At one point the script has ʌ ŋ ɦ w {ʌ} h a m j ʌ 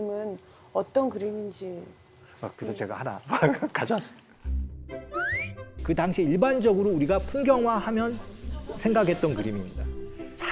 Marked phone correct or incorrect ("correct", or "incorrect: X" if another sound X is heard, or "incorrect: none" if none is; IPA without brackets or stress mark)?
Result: incorrect: a